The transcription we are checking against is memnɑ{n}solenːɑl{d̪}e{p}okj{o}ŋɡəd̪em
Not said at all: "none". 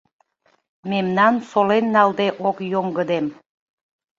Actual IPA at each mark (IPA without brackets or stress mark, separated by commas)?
n, d̪, ʔ, o